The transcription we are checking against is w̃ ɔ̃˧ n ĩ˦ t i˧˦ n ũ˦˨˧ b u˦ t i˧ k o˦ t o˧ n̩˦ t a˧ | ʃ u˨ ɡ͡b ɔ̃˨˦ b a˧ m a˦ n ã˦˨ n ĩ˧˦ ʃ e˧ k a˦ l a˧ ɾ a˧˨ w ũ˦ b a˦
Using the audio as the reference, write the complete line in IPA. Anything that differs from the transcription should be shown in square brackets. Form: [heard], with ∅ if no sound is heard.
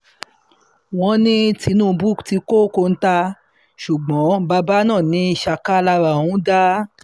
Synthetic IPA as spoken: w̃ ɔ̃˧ n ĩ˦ t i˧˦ n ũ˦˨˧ b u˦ t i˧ k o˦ [k] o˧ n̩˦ t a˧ | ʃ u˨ ɡ͡b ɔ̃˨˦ b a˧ [b] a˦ n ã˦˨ n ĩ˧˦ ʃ [a˧] k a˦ l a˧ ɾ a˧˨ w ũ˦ [d] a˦

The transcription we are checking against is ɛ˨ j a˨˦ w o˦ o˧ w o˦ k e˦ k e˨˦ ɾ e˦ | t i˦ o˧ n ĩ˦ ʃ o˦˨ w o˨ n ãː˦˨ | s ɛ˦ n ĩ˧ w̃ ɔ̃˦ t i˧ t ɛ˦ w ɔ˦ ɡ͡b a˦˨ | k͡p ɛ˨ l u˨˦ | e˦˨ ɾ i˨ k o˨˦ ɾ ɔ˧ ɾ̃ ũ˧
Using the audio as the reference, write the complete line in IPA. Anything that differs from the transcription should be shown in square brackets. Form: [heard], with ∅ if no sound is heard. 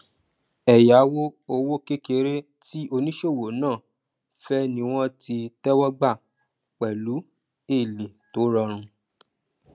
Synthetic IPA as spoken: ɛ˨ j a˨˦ w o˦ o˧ w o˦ k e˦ k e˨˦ ɾ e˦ | t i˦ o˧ n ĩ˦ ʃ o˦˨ w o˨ n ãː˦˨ | [f] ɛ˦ n ĩ˧ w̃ ɔ̃˦ t i˧ t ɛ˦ w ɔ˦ ɡ͡b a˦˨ | k͡p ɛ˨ l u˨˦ | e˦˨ [l] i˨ [t] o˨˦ ɾ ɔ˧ ɾ̃ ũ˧

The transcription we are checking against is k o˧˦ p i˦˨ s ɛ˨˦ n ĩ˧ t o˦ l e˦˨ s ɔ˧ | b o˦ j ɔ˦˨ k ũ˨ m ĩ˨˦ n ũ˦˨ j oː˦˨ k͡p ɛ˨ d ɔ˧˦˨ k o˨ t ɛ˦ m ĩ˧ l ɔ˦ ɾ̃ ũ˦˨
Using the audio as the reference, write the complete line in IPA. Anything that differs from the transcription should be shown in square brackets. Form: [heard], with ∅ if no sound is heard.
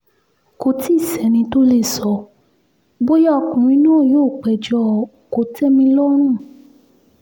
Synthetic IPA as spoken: k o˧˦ [t] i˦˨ s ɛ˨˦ n ĩ˧ t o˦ l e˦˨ s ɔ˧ | b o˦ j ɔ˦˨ k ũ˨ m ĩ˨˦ n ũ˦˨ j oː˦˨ k͡p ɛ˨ [d͡ʒ] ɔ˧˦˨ k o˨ t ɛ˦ m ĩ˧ l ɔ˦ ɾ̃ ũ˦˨

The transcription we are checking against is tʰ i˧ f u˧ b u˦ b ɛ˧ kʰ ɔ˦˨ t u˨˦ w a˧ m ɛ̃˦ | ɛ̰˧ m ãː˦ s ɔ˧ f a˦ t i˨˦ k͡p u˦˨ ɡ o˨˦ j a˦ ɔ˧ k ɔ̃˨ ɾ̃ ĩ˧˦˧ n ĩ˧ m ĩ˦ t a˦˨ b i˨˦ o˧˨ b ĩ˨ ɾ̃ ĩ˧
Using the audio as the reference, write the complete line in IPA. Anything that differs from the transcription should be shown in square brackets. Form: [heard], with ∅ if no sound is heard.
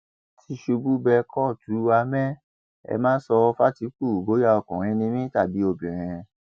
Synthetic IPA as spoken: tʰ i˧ [ʃ] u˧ b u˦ b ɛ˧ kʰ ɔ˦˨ t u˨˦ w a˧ m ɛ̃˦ | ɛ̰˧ m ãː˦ s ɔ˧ f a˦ t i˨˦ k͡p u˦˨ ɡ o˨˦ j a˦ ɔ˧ k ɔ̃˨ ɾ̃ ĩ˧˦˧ n ĩ˧ m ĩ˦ t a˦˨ b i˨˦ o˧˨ b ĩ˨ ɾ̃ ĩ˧

